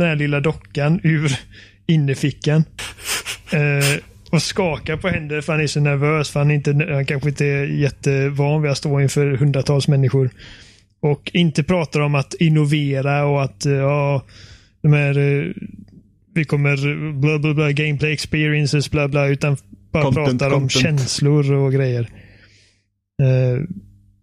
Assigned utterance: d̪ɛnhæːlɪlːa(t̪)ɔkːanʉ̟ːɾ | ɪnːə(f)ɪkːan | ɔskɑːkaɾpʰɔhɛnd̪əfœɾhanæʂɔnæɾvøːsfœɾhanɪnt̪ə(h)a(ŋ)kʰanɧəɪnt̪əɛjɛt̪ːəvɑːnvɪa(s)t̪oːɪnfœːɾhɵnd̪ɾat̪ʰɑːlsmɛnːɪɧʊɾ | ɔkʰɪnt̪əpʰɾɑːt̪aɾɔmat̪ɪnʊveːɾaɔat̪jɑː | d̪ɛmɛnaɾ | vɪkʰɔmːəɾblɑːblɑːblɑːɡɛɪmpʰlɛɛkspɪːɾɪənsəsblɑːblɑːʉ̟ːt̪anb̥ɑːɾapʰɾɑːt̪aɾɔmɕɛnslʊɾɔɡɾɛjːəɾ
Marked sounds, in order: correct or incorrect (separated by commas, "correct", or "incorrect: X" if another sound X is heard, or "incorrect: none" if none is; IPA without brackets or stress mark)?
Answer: incorrect: d̪, correct, correct, incorrect: n, correct